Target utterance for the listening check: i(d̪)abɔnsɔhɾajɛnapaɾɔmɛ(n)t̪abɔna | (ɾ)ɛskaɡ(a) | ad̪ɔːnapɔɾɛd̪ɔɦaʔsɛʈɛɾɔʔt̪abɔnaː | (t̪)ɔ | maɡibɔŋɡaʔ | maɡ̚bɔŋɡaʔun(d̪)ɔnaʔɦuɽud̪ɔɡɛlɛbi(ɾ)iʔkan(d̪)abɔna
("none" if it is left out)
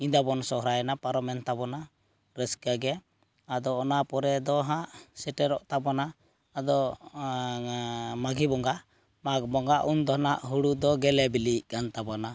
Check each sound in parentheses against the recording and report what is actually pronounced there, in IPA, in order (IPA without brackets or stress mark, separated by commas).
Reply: d̪, n, ɾ, ɛ, d̪, d̪, l, t̪